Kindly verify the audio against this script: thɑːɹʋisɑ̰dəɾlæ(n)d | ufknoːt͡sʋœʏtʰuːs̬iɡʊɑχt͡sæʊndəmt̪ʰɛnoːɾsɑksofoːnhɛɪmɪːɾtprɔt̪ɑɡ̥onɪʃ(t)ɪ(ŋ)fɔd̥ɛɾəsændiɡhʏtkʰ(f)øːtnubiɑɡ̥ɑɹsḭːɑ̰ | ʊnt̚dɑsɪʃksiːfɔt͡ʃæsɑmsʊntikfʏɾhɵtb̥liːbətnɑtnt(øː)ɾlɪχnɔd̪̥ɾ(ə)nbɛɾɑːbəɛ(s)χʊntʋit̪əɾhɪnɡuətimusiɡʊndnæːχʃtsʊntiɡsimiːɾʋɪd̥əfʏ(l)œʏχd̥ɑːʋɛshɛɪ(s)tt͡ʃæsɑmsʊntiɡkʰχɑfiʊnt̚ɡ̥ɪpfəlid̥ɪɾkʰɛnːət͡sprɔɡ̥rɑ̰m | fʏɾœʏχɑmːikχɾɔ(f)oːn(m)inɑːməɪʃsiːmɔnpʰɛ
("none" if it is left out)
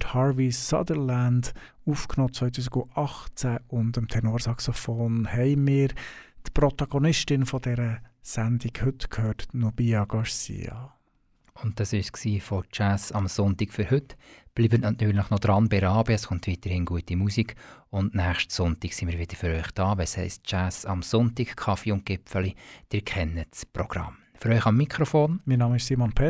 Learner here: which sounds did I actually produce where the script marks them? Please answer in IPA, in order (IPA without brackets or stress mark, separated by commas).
n, t, n, h, yː, ɑ, s, ɾ, s, f, m